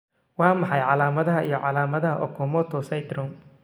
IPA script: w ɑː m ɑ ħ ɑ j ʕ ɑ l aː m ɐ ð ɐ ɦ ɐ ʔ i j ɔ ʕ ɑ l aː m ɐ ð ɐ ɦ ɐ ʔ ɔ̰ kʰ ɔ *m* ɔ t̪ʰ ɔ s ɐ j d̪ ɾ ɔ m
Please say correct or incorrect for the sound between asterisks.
correct